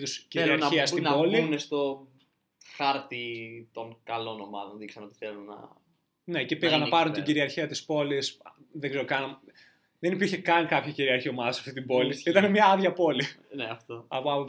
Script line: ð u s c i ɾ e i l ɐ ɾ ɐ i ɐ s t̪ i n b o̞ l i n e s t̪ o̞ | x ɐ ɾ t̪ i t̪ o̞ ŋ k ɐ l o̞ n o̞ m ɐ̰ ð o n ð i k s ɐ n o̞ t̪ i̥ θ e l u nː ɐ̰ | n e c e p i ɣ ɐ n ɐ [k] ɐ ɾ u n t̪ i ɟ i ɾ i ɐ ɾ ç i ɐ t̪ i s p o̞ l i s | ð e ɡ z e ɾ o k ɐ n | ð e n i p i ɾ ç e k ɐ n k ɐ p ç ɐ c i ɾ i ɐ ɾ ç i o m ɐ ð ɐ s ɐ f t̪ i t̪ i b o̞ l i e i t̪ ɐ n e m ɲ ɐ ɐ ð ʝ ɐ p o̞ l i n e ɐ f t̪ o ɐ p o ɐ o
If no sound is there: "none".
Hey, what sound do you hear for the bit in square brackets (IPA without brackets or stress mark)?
p